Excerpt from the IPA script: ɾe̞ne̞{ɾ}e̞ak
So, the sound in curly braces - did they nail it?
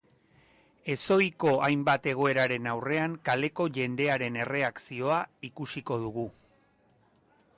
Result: no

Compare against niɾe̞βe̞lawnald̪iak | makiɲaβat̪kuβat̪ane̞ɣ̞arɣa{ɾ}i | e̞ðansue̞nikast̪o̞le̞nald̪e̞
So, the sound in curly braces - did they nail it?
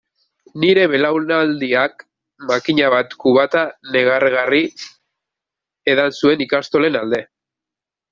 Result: no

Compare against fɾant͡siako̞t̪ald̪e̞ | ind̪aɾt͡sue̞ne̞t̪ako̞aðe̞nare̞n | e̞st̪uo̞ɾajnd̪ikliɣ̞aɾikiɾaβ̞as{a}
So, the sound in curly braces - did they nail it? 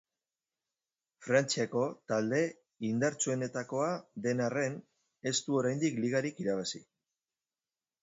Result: no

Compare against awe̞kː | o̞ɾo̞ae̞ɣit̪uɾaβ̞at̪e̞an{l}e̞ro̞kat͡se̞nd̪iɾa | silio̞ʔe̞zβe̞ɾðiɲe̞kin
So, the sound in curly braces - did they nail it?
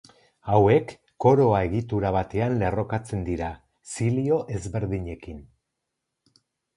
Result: yes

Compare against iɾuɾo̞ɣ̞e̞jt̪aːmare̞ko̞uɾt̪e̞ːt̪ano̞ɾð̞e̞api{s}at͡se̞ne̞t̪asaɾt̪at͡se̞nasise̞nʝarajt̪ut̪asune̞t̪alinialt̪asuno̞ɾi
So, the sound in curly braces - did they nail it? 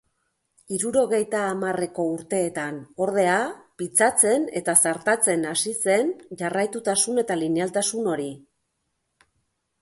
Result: no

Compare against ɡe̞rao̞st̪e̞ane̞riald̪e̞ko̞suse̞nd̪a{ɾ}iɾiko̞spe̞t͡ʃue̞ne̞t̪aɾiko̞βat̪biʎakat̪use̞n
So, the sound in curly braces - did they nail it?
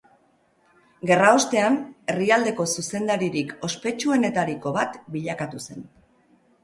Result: yes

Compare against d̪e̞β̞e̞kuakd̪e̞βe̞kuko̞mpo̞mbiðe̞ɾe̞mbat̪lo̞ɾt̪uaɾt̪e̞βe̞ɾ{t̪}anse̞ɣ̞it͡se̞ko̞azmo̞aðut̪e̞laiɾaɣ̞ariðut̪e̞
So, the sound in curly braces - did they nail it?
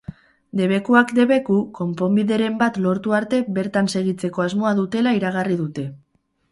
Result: yes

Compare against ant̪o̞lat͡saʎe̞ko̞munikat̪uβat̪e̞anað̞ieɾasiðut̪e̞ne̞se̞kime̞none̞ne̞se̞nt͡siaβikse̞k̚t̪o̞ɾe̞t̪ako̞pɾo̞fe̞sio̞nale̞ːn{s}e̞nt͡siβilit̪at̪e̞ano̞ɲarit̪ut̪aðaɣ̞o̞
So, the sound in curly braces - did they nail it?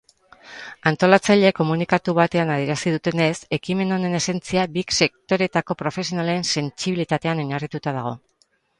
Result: yes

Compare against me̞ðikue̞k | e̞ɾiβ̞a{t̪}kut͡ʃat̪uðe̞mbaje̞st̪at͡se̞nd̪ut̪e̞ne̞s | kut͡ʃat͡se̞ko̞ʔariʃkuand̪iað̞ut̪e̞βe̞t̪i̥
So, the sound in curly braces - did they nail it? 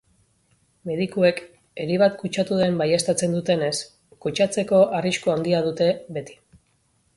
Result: yes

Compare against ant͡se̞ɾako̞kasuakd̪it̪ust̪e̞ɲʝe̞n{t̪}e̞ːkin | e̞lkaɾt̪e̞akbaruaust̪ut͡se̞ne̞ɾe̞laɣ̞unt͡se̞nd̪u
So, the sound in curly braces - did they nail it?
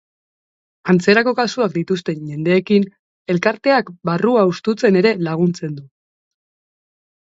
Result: no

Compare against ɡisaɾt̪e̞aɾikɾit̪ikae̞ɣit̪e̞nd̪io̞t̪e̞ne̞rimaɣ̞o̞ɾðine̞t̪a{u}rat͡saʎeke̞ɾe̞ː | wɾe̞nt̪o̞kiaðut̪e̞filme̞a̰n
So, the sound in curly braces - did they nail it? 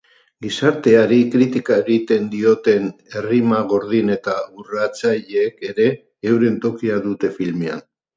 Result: yes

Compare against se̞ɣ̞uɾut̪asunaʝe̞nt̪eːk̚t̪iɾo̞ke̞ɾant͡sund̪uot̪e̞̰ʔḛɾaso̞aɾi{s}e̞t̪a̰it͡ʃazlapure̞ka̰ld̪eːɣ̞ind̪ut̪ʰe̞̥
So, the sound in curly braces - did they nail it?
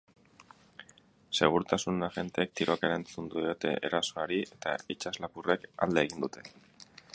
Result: no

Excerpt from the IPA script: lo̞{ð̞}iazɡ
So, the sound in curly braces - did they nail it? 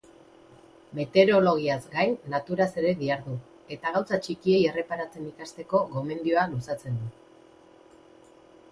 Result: no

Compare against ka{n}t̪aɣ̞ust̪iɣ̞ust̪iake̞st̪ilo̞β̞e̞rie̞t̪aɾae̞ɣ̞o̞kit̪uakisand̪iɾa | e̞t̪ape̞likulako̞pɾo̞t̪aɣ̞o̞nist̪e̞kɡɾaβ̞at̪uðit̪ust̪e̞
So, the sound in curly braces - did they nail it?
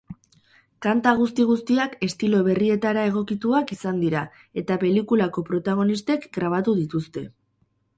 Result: yes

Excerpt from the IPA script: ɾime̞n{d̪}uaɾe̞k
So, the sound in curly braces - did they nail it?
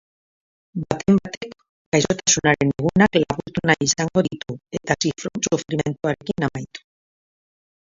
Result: no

